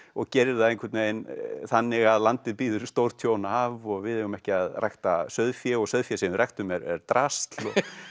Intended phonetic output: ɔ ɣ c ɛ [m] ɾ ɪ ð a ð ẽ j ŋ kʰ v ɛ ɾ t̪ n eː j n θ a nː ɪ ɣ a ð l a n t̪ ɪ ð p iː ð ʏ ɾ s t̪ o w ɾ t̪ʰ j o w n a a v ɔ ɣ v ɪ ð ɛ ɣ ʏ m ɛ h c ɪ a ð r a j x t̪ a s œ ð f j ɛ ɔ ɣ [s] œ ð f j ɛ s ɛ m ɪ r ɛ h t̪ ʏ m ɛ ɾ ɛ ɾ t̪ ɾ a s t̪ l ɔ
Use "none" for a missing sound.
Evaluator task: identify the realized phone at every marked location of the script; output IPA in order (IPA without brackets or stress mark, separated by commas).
none, s